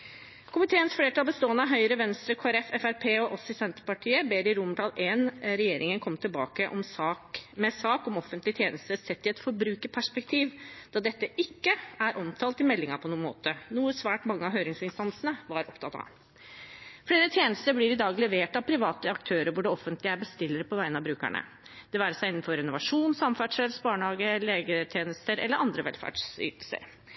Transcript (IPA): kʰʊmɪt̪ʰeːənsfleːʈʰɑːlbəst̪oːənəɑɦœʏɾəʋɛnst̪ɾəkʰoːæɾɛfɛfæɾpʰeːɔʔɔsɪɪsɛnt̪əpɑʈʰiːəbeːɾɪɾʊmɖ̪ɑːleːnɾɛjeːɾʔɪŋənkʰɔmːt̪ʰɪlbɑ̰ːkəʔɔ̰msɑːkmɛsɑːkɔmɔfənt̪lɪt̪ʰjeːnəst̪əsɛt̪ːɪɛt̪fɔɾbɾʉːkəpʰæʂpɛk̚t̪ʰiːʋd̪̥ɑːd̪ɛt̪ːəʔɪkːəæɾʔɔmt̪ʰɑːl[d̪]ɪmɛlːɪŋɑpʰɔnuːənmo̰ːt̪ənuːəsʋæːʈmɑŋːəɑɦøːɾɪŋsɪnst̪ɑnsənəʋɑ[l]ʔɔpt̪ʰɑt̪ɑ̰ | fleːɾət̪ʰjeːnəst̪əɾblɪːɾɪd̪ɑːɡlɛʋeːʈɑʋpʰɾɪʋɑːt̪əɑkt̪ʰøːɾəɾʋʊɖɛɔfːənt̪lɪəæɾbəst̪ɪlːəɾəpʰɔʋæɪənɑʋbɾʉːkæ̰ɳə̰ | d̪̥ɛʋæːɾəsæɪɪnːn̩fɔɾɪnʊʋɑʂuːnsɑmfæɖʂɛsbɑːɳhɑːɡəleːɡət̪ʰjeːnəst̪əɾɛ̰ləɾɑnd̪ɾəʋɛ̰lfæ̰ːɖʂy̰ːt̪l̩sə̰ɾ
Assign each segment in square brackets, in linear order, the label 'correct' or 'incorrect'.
incorrect: t̪, incorrect: ɾ

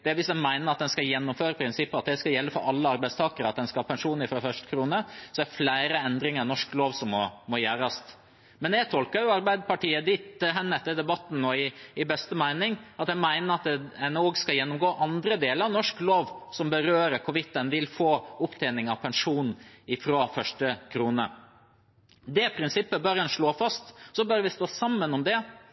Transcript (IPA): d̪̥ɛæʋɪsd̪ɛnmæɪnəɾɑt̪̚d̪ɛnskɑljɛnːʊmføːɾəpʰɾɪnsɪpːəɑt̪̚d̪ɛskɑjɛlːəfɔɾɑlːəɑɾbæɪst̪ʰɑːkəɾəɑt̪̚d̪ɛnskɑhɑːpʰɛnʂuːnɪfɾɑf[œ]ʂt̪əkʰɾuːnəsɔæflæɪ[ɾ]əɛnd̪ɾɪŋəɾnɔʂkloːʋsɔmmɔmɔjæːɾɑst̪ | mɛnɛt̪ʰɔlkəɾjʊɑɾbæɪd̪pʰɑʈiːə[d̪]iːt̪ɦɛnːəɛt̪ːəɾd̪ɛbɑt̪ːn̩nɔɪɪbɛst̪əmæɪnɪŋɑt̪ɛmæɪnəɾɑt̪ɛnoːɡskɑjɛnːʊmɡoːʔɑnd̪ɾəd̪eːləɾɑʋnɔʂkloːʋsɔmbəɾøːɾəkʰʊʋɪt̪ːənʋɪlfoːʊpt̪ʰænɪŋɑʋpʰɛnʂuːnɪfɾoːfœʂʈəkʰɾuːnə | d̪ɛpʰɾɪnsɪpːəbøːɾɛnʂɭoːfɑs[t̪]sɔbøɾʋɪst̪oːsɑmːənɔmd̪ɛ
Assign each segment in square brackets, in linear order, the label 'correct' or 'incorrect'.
correct, correct, correct, correct

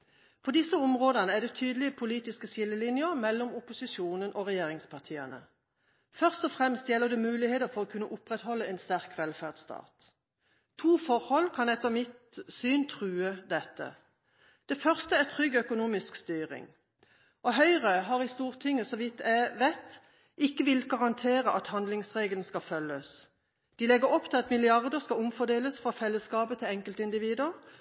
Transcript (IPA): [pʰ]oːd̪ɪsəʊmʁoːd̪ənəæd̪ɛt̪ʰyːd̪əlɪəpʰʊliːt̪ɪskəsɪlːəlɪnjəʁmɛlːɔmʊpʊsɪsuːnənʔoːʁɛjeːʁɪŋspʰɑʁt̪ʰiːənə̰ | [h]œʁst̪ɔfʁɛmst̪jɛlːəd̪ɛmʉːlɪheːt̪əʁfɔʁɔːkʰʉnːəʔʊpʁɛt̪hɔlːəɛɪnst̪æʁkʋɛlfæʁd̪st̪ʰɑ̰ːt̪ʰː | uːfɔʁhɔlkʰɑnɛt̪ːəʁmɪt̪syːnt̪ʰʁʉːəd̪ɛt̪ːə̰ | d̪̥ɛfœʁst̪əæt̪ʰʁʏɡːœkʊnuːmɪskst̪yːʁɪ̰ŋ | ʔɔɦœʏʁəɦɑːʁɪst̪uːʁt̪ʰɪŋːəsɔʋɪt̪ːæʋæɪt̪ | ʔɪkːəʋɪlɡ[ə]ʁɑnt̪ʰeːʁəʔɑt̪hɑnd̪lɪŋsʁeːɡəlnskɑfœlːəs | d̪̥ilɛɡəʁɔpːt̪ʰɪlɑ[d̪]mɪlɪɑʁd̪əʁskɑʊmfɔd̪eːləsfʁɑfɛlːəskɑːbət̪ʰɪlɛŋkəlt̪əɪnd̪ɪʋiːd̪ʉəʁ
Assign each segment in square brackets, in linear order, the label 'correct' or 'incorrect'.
correct, incorrect: f, incorrect: ɑ, incorrect: t̪

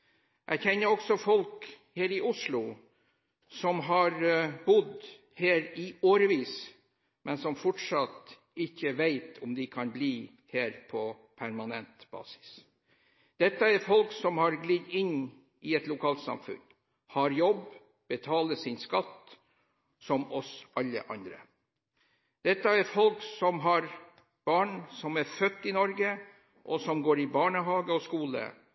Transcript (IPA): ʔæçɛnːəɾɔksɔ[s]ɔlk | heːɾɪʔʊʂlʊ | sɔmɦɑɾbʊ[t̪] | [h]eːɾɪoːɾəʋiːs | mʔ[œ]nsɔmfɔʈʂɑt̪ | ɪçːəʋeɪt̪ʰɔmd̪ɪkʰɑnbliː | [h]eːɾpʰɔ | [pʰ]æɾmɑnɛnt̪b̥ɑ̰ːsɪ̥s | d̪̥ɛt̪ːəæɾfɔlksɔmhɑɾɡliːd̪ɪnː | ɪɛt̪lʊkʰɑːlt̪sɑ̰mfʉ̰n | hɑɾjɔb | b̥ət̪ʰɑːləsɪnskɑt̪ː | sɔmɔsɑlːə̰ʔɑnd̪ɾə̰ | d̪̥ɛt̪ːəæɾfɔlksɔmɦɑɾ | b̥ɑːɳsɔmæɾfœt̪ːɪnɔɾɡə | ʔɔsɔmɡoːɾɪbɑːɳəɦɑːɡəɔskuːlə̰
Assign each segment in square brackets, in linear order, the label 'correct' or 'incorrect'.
incorrect: f, incorrect: d̪, correct, incorrect: ɛ, correct, correct

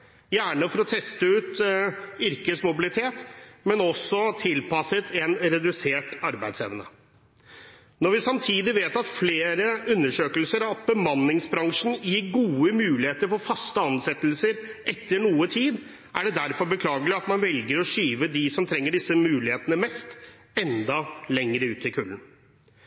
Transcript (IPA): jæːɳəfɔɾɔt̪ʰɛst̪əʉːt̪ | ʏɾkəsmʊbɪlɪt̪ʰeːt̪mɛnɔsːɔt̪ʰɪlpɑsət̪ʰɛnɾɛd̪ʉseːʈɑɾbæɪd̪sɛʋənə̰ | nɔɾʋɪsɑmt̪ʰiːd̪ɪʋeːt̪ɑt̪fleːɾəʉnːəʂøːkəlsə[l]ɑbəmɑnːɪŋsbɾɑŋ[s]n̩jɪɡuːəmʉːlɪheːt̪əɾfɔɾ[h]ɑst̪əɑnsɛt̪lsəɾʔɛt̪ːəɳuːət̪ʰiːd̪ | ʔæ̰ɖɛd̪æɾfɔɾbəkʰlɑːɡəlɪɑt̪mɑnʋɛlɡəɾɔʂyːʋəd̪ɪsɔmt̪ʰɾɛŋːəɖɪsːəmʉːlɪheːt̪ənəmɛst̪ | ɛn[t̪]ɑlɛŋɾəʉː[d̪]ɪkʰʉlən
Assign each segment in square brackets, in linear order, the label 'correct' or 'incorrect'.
incorrect: ɾ, incorrect: ʂ, incorrect: f, incorrect: d̪, incorrect: t̪

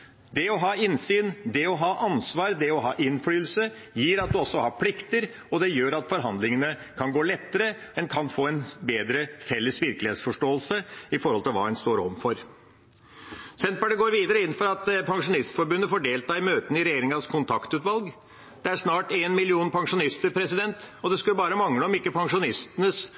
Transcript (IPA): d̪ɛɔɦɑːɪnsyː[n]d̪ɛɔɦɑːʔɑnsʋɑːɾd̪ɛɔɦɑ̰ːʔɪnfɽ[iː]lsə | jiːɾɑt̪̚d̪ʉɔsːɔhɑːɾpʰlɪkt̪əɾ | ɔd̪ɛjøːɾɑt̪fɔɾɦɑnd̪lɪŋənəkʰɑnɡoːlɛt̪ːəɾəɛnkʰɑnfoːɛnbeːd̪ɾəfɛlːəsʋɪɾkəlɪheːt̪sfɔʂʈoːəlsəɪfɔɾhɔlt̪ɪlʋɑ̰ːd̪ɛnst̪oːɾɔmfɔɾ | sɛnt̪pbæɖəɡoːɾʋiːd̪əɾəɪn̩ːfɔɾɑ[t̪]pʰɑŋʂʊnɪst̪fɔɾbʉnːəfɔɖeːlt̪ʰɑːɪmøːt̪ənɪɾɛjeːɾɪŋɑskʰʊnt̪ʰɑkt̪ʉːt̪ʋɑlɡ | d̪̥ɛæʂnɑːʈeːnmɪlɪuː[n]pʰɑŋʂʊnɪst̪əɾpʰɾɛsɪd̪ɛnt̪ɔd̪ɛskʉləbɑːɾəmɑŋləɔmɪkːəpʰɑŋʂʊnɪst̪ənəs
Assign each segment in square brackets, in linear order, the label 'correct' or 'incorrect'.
correct, incorrect: yː, correct, correct

